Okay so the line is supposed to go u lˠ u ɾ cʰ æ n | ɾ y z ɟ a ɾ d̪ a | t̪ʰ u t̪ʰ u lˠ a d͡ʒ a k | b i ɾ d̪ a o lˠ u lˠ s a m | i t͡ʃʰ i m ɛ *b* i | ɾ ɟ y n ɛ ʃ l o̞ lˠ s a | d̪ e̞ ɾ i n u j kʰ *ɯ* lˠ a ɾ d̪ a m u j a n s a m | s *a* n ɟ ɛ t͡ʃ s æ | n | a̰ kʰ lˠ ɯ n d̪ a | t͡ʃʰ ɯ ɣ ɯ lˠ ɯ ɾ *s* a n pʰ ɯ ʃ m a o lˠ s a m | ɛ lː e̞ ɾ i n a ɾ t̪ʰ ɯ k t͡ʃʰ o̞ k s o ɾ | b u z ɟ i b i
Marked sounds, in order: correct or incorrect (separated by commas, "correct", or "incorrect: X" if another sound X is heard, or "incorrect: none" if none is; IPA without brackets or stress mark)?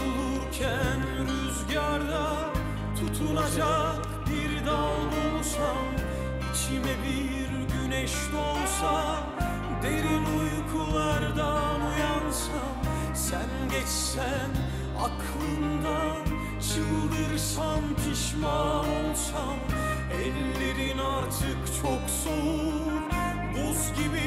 correct, incorrect: u, incorrect: æ, correct